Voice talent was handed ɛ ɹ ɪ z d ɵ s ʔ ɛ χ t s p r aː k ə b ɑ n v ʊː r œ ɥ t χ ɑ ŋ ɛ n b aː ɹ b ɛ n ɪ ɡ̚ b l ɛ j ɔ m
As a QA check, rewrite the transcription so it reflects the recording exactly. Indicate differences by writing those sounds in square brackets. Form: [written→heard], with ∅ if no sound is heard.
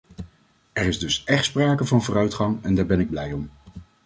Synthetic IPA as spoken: ɛ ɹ ɪ z d ɵ s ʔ ɛ χ t s p r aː k ə [b→v] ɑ n v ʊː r œ ɥ t χ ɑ ŋ ɛ n [b→d] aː ɹ b ɛ n ɪ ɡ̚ b l ɛ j ɔ m